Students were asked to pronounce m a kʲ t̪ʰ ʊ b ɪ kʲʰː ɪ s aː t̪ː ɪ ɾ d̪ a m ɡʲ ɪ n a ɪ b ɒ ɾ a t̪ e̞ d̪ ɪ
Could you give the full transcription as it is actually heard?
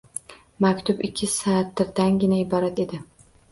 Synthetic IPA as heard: m a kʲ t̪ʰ ʊ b ɪ kʲʰː ɪ s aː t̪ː ɪ ɾ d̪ a n ɡʲ ɪ n a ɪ b ɒ ɾ a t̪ e̞ d̪ ɪ